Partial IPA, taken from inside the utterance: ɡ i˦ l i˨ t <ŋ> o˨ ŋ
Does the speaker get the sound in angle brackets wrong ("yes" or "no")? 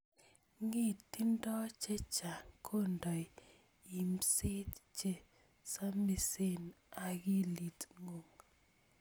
no